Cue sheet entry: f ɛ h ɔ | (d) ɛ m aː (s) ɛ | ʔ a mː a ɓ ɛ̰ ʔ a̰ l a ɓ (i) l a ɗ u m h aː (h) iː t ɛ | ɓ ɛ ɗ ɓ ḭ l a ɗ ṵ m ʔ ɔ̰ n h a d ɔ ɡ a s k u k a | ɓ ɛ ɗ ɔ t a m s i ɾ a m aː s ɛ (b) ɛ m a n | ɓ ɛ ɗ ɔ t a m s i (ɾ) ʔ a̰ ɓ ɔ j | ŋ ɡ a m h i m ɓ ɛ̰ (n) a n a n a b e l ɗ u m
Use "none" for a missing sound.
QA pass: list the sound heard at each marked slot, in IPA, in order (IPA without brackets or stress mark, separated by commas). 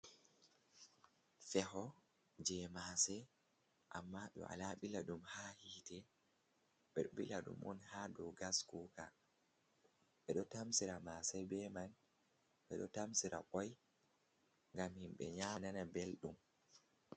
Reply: d͡ʒ, s, i, h, b, ɾ, ɲ